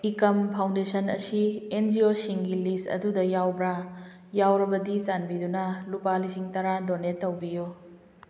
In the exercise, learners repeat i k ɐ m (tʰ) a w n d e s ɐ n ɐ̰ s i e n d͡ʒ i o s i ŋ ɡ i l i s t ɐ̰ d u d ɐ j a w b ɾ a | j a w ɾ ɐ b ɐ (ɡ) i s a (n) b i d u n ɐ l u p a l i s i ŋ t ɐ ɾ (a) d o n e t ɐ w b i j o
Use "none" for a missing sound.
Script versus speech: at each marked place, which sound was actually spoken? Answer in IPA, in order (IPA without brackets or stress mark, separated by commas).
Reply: pʰ, d, n, a